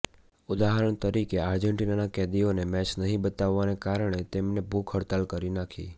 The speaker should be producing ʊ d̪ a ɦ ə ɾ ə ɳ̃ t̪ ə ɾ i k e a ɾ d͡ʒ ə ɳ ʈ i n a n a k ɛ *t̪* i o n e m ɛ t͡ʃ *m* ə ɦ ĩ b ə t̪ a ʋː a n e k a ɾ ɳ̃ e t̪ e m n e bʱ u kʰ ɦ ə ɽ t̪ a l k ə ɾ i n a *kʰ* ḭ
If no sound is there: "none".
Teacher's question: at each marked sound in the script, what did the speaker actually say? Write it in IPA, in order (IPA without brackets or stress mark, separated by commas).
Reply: d̪, n, kʰ